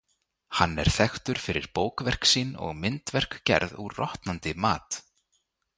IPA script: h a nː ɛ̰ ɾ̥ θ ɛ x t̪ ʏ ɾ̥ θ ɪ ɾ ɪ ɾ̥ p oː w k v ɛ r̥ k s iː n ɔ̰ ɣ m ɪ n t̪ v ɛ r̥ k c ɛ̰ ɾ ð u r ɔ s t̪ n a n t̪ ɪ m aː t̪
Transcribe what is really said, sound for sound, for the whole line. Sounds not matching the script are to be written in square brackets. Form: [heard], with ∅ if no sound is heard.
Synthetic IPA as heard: h a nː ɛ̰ ɾ̥ θ ɛ x t̪ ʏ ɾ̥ [f] ɪ ɾ ɪ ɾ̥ p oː w k v ɛ r̥ k s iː n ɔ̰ ɣ m ɪ n t̪ v ɛ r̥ k c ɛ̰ ɾ ð u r ɔ [h] t̪ n a n t̪ ɪ m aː t̪